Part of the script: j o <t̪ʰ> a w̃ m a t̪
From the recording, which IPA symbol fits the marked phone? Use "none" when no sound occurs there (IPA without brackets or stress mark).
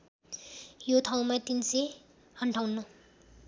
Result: t̪ʰ